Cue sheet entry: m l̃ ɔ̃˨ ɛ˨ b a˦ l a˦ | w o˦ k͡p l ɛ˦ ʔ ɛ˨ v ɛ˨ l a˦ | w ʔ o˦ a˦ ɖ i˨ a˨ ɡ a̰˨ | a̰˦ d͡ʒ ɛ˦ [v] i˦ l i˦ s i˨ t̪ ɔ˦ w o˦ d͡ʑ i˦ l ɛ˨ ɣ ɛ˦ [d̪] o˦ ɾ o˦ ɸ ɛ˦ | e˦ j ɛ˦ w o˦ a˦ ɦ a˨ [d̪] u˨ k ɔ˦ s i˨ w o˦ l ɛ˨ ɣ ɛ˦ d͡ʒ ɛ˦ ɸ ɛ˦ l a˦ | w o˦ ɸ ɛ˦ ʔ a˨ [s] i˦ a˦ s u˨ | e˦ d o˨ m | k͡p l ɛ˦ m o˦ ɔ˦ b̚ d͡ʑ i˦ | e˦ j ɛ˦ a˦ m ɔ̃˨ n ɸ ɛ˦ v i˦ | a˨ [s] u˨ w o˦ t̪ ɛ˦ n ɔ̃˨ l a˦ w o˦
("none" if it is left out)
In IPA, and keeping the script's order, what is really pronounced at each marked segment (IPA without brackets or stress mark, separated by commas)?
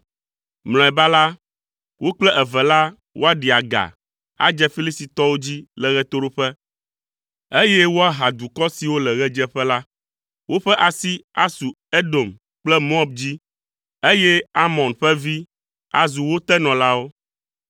f, t̪, d̪, s, z